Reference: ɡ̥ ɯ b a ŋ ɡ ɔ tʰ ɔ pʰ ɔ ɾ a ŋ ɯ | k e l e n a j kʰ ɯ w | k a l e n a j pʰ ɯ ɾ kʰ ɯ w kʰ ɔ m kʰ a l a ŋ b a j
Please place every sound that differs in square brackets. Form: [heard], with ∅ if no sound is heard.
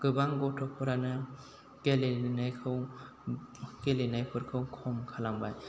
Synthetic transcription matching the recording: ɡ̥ ɯ b a ŋ ɡ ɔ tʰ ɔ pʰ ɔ ɾ a [n] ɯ | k e l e n a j kʰ ɯ w | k [e] l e n a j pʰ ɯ ɾ kʰ ɯ w kʰ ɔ m kʰ a l a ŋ b a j